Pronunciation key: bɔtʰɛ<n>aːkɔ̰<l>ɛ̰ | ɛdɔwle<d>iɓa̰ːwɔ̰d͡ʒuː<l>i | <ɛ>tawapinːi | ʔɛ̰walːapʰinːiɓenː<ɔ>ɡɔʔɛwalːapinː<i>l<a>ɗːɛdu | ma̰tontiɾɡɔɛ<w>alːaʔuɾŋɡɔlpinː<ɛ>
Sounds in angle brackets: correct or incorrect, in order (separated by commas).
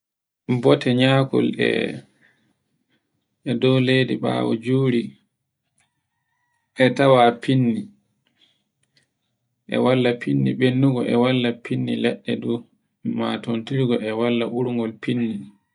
incorrect, correct, correct, incorrect, correct, incorrect, correct, incorrect, correct, incorrect